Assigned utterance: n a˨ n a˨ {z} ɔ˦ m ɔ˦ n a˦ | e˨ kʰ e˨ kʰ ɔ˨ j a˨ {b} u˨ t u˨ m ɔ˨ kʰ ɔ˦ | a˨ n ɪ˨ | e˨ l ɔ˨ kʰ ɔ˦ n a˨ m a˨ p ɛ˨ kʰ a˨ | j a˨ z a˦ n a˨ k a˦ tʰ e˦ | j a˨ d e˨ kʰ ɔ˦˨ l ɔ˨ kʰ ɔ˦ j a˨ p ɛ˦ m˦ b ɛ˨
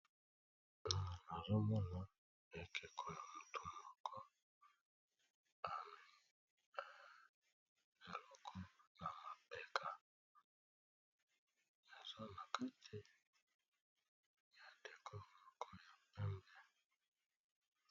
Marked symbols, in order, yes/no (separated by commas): yes, no